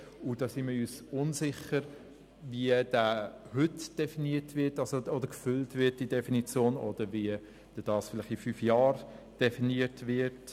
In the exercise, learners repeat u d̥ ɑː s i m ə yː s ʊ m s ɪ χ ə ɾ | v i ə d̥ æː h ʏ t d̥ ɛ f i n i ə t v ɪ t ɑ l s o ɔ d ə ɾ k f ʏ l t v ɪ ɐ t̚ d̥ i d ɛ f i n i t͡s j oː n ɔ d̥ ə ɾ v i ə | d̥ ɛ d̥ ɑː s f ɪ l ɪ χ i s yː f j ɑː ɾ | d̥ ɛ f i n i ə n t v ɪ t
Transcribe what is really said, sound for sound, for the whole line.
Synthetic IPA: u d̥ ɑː s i m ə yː s ʊ n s ɪ χ ə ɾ | v i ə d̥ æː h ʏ t d̥ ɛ f i n i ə t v ɪ t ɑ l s o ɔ d ə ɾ k f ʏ l t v ɪ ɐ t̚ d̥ i d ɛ f i n i t͡s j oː n ɔ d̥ ə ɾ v i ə | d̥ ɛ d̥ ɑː s f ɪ l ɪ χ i f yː f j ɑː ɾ | d̥ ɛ f i n i ə t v ɪ t